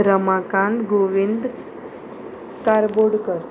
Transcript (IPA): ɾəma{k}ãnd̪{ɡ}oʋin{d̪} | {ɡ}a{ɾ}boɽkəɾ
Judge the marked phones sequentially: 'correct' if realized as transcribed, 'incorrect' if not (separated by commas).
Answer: correct, correct, correct, incorrect, correct